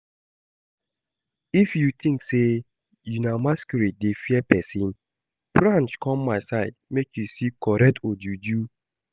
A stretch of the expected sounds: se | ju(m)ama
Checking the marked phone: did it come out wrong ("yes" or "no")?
yes